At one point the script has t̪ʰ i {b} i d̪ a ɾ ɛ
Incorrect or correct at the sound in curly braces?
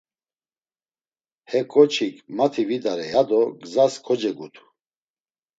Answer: incorrect: v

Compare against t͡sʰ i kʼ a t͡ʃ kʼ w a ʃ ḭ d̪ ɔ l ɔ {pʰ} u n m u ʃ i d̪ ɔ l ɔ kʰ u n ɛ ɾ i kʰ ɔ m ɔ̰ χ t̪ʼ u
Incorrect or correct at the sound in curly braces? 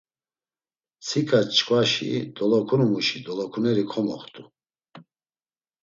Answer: incorrect: kʰ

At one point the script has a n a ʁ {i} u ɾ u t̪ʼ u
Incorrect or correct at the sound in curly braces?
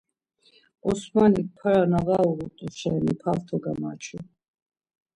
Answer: incorrect: a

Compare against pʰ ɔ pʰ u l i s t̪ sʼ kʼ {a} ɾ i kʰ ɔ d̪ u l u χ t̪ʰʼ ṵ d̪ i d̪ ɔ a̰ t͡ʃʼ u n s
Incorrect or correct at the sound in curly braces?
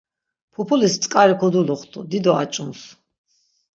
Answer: correct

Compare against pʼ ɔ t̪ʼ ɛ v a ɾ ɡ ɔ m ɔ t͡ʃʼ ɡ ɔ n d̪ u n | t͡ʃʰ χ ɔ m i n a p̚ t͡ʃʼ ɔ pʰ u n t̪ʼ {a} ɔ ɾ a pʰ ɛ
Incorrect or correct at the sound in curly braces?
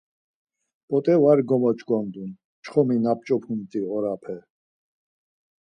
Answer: incorrect: i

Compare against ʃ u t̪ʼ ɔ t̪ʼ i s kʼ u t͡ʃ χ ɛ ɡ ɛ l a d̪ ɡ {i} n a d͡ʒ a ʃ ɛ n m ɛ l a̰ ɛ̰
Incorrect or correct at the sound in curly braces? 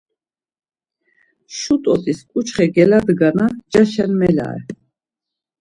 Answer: incorrect: a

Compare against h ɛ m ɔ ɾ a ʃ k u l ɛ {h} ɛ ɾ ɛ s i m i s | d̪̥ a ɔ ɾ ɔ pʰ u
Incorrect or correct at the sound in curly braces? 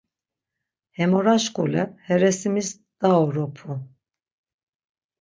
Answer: correct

